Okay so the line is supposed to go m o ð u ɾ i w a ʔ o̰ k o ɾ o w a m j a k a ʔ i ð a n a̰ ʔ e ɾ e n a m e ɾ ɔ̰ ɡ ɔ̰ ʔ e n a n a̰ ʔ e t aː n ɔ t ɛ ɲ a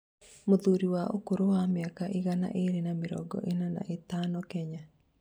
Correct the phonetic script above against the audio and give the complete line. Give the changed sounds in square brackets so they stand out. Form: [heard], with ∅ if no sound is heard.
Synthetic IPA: m o ð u ɾ i w a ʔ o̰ k o ɾ o w a m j a k a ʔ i [ɣ] a n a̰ ʔ e ɾ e n a m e ɾ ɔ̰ ɡ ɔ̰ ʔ e n a n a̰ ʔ e t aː n ɔ [k] ɛ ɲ a